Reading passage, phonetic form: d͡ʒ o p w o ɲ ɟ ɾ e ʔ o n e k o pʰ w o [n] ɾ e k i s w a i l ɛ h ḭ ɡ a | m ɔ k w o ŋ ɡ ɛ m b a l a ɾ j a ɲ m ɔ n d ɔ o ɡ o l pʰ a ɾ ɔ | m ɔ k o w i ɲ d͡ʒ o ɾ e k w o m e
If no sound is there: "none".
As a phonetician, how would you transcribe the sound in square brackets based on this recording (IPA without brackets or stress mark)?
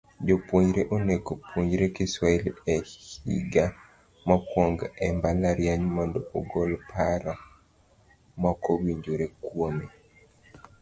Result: ɲ